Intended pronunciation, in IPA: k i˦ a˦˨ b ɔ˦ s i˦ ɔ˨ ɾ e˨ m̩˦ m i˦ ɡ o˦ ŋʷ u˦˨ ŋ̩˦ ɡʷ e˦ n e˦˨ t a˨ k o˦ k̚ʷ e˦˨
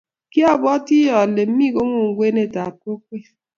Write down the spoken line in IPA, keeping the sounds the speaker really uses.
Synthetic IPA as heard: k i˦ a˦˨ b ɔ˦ t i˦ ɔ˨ l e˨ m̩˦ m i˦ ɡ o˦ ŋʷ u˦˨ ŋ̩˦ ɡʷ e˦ n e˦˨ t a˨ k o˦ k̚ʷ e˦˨